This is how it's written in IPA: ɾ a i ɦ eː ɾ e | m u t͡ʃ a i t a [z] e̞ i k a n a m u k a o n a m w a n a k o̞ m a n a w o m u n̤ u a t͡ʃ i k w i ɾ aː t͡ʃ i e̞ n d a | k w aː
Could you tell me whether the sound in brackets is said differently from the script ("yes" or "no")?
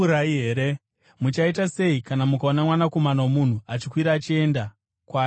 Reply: yes